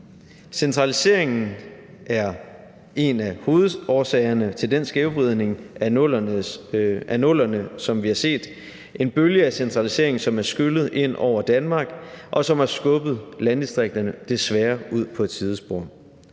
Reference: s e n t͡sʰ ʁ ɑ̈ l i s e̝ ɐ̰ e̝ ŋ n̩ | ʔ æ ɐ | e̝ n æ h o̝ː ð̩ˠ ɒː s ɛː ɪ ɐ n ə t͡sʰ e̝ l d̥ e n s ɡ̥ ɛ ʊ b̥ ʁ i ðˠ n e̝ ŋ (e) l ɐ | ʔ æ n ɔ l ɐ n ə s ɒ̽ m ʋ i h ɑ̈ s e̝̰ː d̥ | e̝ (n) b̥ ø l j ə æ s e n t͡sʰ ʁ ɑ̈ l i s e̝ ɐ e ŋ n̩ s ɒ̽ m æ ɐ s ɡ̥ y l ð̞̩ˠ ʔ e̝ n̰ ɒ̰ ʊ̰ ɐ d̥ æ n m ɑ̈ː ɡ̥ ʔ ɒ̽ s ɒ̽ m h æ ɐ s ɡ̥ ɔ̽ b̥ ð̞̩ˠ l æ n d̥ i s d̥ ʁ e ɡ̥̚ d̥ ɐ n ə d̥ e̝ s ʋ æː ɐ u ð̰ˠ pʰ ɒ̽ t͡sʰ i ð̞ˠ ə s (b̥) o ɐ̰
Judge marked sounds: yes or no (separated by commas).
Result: no, yes, yes